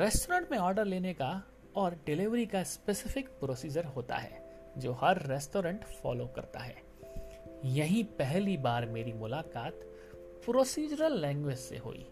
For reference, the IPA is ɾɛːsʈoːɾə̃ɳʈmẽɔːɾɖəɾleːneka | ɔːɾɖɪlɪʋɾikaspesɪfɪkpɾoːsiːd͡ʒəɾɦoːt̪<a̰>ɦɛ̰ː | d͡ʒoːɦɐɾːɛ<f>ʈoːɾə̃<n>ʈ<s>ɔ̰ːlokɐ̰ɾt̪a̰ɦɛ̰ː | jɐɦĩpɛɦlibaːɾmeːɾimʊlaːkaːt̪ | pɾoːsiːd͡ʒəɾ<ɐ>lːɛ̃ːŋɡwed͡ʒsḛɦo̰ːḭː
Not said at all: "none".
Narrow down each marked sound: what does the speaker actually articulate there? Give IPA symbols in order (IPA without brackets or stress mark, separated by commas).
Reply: a̰, s, ɳ, f, ə